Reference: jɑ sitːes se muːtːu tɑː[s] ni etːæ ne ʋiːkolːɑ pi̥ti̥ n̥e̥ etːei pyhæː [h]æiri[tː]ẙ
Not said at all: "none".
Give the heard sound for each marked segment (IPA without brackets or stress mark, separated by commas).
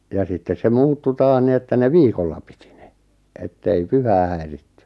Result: h, h, tː